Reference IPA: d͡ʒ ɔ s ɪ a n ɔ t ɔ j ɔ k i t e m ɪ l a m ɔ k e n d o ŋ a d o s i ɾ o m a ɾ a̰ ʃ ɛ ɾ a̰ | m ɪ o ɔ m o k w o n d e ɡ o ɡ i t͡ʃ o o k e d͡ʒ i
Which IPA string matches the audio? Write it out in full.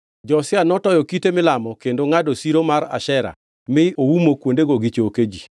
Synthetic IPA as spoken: d͡ʒ ɔ s ɪ a n ɔ t ɔ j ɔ k i t e m ɪ l a m ɔ k e n d o ŋ a d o s i ɾ o m a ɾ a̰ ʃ ɛ ɾ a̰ | m ɪ o u m o k w o n d e ɡ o ɡ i t͡ʃ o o k e d͡ʒ i

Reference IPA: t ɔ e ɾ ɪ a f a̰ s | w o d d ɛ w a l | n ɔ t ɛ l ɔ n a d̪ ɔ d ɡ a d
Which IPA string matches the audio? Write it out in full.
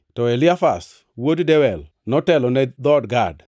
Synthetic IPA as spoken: t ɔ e l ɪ a f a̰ s | w o d d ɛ w ɛ l | n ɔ t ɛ l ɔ n ɛ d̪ ɔ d ɡ a d

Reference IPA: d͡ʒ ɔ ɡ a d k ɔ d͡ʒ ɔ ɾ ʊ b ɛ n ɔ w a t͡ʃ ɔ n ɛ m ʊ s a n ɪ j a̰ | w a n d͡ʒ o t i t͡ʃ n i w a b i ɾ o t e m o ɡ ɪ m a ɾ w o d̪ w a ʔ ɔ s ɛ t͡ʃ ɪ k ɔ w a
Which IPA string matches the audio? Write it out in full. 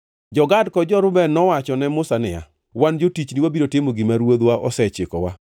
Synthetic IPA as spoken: d͡ʒ ɔ ɡ a d k ɔ d͡ʒ ɔ ɾ ʊ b ɛ n ɔ w a t͡ʃ ɔ n ɛ m ʊ s a n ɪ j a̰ | w a n d͡ʒ o t i t͡ʃ n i w a b i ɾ o t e m o ɡ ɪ m a ɾ w o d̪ w a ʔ ɔ s ɛ t͡ʃ ɪ k ɔ w a

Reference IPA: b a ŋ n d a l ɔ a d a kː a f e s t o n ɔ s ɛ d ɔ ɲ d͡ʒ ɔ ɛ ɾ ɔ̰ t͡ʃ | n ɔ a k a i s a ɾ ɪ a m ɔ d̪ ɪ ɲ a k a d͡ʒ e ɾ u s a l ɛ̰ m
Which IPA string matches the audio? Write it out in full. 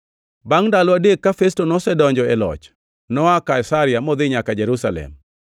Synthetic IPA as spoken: b a ŋ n d a l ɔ a d e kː a f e s t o n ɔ s ɛ d ɔ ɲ d͡ʒ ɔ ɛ l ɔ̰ t͡ʃ | n ɔ a k a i s a ɾ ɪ a m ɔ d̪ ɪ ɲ a k a d͡ʒ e ɾ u s a l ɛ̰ m

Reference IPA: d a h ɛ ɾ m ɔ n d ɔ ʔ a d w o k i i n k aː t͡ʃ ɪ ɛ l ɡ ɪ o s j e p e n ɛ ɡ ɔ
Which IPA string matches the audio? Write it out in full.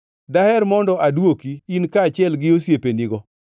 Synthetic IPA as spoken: d a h ɛ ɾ m ɔ n d ɔ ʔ a d w o k i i n k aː t͡ʃ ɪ ɛ l ɡ ɪ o s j e p e n i ɡ ɔ

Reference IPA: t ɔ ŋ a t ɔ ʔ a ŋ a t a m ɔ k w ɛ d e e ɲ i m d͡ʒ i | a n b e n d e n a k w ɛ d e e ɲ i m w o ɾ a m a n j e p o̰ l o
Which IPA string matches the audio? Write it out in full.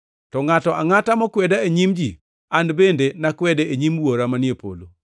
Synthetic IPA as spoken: t ɔ ŋ a t ɔ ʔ a ŋ a t a m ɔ k w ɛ d a e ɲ i m d͡ʒ i | a n b e n d e n a k w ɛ d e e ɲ i m w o ɾ a m a n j e p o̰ l o

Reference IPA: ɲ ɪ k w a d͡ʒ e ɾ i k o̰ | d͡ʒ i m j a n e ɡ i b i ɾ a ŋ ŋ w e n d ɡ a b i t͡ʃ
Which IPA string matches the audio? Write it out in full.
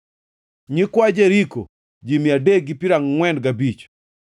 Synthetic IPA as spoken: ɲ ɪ k w a d͡ʒ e ɾ i k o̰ | d͡ʒ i m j a d e ɡ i p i ɾ a ŋ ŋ w ɛ n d ɡ a b i t͡ʃ

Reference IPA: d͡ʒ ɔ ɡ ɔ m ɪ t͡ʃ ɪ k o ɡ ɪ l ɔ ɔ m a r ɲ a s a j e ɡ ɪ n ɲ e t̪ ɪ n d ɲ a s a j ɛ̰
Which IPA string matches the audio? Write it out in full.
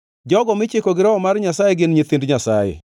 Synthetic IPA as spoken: d͡ʒ ɔ ɡ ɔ m ɪ t͡ʃ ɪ k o ɡ ɪ ɾ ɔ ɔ m a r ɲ a s a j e ɡ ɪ n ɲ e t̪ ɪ n d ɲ a s a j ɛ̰

